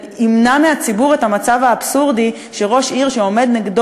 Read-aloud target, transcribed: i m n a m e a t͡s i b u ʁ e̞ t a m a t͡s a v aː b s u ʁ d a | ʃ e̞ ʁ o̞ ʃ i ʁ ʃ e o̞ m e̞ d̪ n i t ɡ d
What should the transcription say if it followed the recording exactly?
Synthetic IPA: i m n a m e a t͡s i b u ʁ e̞ t a m a t͡s a v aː b s u ʁ d i | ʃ e̞ ʁ o̞ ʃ i ʁ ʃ e o̞ m e̞ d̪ n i ɡ d